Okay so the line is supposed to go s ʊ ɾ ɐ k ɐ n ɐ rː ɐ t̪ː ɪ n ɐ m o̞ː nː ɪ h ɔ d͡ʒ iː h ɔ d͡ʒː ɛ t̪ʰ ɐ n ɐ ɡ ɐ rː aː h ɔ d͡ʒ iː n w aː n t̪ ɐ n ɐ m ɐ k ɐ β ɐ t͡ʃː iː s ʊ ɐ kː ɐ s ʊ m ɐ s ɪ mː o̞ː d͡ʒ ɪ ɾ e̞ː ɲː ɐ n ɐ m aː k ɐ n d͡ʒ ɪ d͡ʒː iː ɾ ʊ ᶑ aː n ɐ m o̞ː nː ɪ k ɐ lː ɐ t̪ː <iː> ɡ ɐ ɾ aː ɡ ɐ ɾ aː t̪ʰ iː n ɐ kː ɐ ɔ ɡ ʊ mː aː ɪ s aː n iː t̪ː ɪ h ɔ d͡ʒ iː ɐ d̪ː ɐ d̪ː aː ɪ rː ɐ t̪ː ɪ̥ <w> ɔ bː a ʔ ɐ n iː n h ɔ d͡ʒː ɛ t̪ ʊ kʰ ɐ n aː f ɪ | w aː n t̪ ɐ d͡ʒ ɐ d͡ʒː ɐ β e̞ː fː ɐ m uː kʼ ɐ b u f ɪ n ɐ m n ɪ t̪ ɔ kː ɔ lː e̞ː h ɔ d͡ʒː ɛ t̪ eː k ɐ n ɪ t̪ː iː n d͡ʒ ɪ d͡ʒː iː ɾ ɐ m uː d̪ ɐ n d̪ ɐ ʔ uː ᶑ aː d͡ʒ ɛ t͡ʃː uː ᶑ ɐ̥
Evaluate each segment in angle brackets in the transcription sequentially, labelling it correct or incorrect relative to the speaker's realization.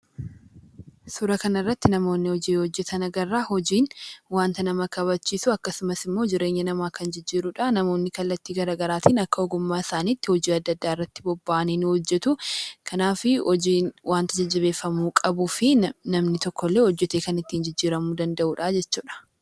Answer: correct, incorrect: b

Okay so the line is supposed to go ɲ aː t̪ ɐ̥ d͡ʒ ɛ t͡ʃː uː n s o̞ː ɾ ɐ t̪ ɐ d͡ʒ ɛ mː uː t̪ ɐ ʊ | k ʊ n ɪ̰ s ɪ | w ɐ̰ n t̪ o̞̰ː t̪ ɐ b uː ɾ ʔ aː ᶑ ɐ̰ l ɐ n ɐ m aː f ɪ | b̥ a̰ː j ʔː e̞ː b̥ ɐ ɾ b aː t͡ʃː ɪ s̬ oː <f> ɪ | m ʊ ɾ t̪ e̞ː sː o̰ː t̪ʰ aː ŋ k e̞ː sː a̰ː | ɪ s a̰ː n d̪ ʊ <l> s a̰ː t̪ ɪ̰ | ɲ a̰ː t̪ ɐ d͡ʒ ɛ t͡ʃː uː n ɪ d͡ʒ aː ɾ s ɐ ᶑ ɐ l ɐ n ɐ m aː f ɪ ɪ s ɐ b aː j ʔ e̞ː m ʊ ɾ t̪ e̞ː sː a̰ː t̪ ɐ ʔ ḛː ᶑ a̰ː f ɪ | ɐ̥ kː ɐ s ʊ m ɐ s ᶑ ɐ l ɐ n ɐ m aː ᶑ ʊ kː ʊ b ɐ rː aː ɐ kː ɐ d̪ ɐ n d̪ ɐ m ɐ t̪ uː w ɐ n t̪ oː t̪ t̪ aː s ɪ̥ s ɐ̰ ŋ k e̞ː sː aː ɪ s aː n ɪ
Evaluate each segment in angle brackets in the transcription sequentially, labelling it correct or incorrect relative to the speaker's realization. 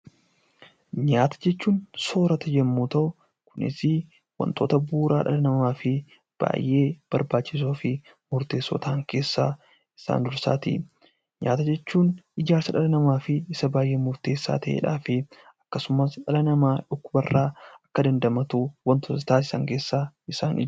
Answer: correct, incorrect: ɾ

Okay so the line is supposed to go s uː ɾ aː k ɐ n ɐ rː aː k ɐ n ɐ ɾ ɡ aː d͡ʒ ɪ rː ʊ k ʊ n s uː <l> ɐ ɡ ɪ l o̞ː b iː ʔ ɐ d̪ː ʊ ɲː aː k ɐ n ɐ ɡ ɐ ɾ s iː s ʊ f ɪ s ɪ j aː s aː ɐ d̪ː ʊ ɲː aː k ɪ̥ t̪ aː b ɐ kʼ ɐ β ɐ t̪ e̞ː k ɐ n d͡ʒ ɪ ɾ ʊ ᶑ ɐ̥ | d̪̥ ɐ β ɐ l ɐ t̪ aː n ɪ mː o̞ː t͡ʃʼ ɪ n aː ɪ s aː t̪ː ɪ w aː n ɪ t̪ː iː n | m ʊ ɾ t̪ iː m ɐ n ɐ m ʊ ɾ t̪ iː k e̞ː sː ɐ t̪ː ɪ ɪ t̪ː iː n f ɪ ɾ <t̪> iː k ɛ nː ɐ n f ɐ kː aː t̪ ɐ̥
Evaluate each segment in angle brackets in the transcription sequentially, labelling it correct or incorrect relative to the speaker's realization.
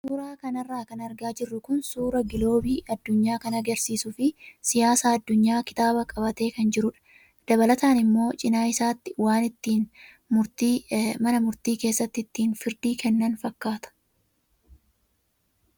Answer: incorrect: ɾ, incorrect: d̪

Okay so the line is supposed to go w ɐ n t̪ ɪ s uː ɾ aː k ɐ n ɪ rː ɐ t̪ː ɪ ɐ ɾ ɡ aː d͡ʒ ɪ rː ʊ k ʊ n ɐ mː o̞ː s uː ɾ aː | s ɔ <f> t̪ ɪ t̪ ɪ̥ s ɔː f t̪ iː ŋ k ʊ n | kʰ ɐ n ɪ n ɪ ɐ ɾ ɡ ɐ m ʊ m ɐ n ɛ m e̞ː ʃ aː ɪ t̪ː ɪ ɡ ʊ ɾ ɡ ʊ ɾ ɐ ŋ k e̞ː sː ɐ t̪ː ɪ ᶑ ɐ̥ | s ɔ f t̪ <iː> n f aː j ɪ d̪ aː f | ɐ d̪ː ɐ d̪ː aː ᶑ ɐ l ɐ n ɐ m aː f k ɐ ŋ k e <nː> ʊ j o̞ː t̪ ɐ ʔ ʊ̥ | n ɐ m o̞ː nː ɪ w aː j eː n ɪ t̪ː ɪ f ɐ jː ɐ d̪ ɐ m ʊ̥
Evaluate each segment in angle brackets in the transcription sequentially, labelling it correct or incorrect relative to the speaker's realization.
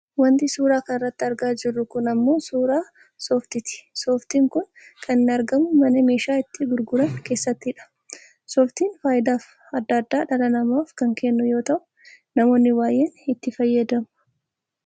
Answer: correct, correct, correct

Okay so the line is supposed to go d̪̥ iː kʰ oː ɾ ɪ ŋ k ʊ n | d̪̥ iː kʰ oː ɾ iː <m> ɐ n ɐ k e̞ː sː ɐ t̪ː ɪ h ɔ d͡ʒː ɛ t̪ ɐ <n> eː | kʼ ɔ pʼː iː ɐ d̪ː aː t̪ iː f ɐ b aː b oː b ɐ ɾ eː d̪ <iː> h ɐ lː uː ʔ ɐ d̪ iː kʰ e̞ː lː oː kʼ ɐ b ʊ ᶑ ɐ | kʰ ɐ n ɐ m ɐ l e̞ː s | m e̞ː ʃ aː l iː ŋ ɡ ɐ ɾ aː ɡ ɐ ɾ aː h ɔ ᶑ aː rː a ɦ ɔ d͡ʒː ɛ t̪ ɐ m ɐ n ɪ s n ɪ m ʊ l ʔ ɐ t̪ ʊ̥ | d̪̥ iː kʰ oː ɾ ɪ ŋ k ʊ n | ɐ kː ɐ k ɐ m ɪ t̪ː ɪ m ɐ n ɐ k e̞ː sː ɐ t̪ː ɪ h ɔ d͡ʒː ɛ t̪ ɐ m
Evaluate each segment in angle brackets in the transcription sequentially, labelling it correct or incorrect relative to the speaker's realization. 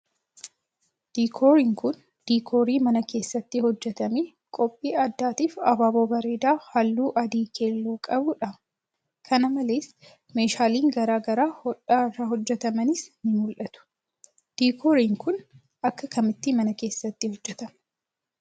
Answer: correct, incorrect: m, incorrect: aː

